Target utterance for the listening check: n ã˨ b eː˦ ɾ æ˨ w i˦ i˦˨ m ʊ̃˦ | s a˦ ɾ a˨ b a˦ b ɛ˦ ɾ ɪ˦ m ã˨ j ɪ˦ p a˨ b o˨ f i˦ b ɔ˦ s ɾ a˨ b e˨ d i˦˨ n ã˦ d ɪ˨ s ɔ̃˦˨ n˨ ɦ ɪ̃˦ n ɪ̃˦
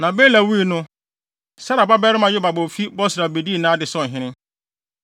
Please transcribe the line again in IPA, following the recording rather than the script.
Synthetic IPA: n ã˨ b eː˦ l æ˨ w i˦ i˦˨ n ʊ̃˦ | s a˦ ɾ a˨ b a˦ b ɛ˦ ɾ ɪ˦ m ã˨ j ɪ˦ b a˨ b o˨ f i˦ b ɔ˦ s ɾ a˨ b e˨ d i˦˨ n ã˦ d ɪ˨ s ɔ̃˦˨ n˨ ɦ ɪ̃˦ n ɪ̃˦